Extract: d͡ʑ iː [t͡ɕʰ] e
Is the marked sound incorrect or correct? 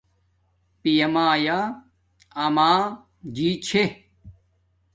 correct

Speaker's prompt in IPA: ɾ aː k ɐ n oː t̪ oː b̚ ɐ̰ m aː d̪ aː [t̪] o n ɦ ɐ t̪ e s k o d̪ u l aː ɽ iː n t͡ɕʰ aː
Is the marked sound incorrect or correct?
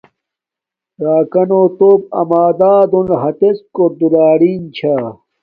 incorrect: d̪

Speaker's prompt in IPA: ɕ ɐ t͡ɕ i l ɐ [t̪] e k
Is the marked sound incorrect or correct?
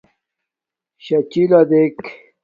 incorrect: d̪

